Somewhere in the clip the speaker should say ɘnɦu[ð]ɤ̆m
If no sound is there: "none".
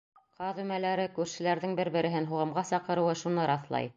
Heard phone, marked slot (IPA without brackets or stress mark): ʁ